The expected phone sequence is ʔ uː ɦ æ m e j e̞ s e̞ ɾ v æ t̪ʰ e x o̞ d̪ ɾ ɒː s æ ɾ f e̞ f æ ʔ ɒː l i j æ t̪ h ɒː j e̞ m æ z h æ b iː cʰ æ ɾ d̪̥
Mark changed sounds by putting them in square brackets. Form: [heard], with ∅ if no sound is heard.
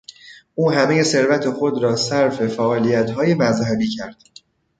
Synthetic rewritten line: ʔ uː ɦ æ m e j e̞ s e̞ ɾ v æ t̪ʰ e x o̞ d̪ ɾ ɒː s æ ɾ f e̞ f æ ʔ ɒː l i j æ t̪ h ɒː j e̞ m æ z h æ b iː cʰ æ ɾ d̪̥